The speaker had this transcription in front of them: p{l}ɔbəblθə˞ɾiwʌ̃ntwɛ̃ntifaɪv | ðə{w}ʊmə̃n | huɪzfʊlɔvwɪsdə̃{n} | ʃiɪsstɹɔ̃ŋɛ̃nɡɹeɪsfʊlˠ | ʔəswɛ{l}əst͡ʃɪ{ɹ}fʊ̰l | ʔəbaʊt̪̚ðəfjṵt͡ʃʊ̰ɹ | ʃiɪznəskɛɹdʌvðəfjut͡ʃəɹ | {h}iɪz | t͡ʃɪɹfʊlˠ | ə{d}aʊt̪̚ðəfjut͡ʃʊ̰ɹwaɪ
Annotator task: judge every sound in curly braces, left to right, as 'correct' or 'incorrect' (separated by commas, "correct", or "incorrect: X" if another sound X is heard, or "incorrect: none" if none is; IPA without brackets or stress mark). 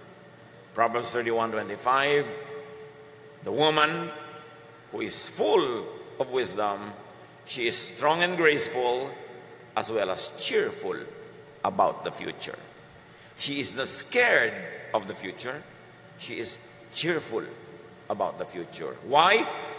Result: incorrect: ɹ, correct, incorrect: m, correct, correct, incorrect: ʃ, incorrect: b